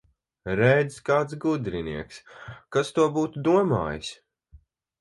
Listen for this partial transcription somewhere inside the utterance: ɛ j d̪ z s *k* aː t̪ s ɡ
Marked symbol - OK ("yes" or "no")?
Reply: yes